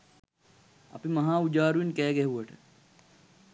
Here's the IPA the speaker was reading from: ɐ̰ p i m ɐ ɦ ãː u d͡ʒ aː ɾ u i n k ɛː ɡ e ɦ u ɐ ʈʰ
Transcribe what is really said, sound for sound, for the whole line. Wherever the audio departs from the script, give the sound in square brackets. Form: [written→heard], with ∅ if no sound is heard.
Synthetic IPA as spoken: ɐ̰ p i m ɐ ɦ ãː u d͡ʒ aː ɾ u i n k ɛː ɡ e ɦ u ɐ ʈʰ